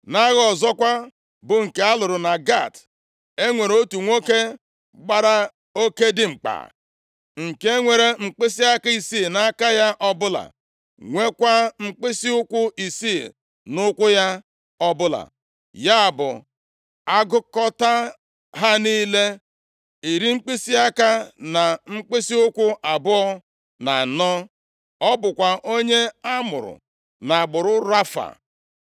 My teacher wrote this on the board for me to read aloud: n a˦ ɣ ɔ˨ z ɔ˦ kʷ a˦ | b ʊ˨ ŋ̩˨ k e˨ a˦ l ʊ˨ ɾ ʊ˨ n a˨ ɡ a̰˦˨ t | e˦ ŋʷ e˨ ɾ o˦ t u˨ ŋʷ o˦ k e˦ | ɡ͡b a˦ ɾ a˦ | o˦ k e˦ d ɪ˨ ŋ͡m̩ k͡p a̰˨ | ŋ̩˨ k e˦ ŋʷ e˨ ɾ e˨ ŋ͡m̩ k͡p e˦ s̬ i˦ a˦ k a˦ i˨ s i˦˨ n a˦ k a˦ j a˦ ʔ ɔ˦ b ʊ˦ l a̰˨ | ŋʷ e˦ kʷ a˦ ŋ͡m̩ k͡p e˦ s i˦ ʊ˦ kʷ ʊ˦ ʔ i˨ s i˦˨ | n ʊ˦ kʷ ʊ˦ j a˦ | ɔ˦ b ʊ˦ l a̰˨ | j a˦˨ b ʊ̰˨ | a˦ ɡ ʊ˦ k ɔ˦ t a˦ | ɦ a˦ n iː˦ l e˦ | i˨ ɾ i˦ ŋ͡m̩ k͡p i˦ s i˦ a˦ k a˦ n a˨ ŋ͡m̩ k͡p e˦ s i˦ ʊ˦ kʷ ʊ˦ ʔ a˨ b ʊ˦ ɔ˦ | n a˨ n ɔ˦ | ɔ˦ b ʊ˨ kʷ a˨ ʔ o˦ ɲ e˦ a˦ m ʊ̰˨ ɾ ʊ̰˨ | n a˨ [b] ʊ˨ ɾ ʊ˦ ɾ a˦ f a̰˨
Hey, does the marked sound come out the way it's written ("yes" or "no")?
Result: no